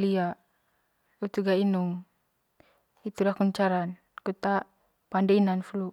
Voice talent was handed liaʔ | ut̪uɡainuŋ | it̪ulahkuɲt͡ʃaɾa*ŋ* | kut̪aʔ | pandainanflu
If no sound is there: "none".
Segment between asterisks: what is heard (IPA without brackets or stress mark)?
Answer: n